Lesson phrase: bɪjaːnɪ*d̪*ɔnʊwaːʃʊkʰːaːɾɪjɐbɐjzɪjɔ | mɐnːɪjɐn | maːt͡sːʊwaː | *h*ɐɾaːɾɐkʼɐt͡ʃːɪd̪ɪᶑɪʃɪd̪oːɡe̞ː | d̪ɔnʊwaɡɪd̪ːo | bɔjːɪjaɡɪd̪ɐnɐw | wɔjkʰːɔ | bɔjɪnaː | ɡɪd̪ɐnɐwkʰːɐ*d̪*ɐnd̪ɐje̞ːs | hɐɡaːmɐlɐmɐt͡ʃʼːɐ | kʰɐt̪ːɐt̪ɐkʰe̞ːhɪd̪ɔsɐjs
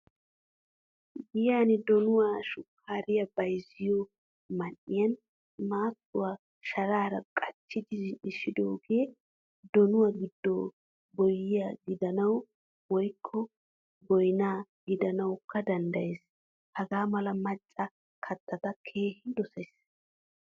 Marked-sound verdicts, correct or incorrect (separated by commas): correct, incorrect, correct